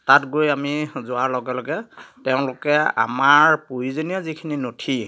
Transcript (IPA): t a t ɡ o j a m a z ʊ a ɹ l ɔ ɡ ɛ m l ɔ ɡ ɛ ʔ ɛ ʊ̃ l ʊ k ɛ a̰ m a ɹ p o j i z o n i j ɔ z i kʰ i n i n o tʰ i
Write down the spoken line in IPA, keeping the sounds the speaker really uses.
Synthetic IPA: t a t ɡ o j a m i z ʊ a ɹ l ɔ ɡ ɛ l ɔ ɡ ɛ t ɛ ʊ̃ l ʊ k ɛ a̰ m a ɹ p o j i z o n i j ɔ z i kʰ i n i n o tʰ i